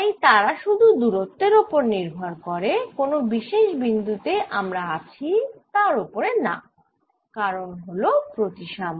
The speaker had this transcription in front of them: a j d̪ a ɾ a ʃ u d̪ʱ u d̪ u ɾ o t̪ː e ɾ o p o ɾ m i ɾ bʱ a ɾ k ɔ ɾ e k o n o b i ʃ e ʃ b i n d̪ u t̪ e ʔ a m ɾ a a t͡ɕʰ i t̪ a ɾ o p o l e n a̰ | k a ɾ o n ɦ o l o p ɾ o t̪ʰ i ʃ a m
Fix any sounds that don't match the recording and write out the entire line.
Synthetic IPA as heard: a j t̪ a ɾ a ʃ u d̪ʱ u d̪ u ɾ o t̪ː e ɾ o p o ɾ n i ɾ bʱ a ɾ k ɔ ɾ e k o n o b i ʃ e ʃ b i n d̪ u t̪ e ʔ a m ɾ a a t͡ɕʰ i t̪ a ɾ o p o ɾ e n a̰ | k a ɾ o n ɦ o l o p ɾ o t̪ i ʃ a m